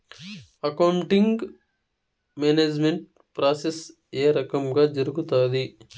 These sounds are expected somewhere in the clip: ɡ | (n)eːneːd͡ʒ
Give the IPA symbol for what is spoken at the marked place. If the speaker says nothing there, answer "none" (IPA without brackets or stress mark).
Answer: m